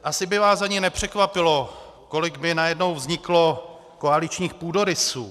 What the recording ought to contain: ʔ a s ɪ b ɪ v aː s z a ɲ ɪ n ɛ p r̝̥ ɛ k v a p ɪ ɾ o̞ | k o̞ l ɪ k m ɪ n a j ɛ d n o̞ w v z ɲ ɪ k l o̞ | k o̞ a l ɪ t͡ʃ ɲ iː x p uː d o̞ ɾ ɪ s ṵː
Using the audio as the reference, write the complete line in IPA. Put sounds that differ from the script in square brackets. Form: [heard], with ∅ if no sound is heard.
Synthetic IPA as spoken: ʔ a s ɪ b ɪ v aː s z a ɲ ɪ n ɛ p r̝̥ ɛ k v a p ɪ [l] o̞ | k o̞ l ɪ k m ɪ n a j ɛ d n o̞ w v z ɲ ɪ k l o̞ | k o̞ a l ɪ t͡ʃ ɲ iː x p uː d o̞ ɾ ɪ s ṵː